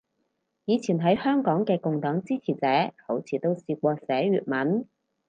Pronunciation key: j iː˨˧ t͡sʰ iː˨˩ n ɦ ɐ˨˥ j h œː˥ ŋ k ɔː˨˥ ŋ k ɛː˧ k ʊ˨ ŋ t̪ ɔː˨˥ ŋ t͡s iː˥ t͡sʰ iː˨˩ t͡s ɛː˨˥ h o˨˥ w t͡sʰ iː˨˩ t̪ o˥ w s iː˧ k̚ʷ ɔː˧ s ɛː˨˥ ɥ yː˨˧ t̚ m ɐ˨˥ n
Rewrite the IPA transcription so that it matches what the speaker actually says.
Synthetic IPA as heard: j iː˨˧ t͡sʰ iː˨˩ n ɦ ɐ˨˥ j h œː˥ ŋ k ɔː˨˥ ŋ k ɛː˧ k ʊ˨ ŋ t̪ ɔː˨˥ ŋ t͡s iː˥ t͡sʰ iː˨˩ t͡s ɛː˨˥ h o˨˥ w t͡sʰ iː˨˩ t̪ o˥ w s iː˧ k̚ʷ ɔː˧ s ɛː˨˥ ɥ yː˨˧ t̚ m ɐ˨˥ n

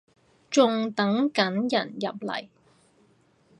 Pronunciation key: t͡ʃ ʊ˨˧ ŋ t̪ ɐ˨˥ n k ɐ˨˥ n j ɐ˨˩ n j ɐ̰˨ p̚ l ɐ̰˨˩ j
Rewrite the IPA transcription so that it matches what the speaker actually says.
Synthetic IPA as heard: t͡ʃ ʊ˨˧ ŋ t̪ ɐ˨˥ ŋ k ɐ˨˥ n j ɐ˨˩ n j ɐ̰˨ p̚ l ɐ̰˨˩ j

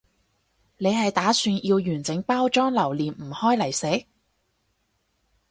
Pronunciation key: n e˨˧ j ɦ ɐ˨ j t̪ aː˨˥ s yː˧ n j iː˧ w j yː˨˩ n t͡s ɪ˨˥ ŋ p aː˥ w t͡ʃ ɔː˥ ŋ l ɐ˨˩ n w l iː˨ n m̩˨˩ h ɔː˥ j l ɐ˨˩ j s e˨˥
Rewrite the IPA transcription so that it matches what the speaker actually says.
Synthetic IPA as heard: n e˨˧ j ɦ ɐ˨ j t̪ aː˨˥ s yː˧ n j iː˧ w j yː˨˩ n t͡s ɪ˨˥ ŋ p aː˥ w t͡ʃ ɔː˥ ŋ l ɐ˨˩ w l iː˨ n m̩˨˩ h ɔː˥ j l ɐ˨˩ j s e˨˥

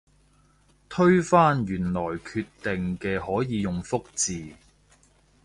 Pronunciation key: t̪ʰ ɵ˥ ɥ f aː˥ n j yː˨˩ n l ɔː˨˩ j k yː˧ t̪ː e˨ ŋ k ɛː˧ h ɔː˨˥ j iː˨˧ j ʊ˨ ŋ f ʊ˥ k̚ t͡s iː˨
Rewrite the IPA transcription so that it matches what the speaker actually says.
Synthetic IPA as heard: t̪ʰ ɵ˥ ɥ f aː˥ n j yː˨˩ n l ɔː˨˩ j kʰ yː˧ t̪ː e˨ ŋ k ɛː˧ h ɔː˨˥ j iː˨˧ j ʊ˨ ŋ f ʊ˥ k̚ t͡s iː˨

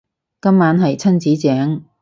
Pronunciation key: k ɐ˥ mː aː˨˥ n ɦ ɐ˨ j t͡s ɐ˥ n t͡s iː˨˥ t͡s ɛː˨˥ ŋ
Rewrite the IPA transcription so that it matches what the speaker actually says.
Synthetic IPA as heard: k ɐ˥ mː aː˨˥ n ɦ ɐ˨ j t͡sʰ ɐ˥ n t͡s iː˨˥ t͡s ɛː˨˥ ŋ

